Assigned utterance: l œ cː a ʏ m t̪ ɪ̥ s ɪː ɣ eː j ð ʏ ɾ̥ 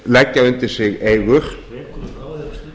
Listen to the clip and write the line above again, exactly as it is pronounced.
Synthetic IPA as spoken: l ɛ cː a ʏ n t̪ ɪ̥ s ɪ ɣ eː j ɣ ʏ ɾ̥